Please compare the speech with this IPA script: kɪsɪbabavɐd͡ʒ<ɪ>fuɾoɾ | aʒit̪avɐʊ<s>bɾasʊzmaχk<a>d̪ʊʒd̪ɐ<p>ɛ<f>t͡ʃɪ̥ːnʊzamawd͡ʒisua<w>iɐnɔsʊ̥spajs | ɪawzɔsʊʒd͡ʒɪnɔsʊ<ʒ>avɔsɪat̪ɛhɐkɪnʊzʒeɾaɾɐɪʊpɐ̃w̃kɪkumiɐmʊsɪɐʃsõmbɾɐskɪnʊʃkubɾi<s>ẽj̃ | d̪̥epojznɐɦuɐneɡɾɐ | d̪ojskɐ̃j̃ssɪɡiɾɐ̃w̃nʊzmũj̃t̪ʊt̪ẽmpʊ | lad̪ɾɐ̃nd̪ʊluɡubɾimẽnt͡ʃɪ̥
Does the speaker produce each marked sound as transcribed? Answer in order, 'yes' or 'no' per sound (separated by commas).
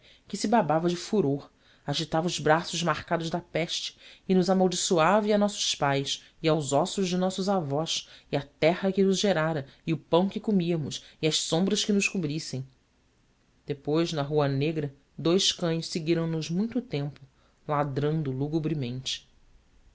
yes, no, yes, yes, no, no, no, yes